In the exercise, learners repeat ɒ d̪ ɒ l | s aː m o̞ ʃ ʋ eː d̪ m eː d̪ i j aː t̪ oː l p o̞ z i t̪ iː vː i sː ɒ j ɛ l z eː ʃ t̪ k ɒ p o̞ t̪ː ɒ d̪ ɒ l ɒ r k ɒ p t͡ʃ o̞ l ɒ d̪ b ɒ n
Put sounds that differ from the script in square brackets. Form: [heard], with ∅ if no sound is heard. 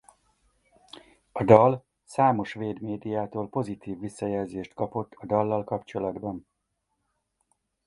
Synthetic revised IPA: ɒ d̪ ɒ l | s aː m o̞ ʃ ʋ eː d̪ m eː d̪ i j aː t̪ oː l p o̞ z i t̪ iː vː i sː ɒ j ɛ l z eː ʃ t̪ k ɒ p o̞ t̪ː ɒ d̪ ɒ [lː] ɒ [l] k ɒ p t͡ʃ o̞ l ɒ d̪ b ɒ n